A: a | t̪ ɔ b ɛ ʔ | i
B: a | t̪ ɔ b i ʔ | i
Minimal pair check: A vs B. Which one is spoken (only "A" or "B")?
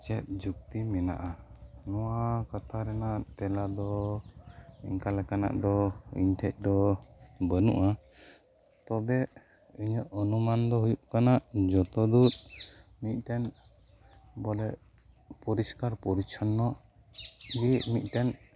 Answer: A